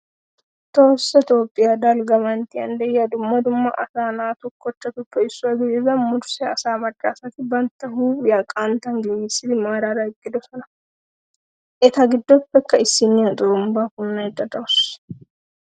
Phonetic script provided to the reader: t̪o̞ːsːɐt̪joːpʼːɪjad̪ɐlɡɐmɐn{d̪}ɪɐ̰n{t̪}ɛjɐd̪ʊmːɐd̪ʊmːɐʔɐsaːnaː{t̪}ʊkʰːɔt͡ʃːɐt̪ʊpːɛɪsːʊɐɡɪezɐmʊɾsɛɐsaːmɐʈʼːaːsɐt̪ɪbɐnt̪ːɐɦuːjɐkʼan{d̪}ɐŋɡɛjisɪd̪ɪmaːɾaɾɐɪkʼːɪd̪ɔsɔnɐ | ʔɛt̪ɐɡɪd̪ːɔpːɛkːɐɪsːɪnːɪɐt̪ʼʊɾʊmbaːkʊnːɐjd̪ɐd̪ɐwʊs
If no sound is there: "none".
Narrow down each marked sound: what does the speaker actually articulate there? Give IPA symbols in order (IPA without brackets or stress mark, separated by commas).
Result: t̪, d̪, t̪, t̪